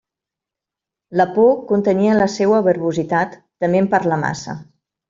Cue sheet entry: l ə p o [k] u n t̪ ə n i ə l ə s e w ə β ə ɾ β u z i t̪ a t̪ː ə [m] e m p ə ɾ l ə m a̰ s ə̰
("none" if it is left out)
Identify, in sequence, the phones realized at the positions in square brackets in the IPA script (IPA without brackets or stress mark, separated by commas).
k, m